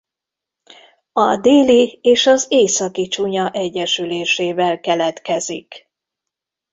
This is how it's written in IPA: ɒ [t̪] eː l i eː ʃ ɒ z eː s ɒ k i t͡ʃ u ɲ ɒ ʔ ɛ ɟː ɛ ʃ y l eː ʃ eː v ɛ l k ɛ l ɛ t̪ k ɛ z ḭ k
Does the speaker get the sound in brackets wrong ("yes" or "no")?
yes